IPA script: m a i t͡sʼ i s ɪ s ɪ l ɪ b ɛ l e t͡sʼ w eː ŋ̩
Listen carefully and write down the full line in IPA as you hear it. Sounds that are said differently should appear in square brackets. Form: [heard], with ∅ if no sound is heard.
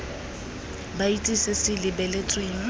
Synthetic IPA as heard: [b] a i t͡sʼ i s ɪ s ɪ l ɪ b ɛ l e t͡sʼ w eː ŋ̩